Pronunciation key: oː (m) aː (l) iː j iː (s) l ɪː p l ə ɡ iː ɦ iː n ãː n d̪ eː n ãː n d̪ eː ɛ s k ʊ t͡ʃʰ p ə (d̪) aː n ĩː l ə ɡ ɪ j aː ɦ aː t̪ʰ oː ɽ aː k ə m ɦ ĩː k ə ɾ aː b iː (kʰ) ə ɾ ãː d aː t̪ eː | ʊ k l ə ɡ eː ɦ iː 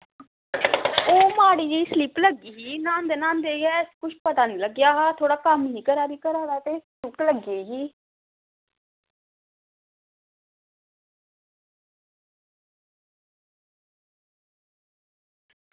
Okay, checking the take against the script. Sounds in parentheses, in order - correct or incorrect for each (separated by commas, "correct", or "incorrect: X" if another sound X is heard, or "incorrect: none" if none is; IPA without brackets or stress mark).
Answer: correct, incorrect: ɽ, correct, incorrect: t̪, incorrect: k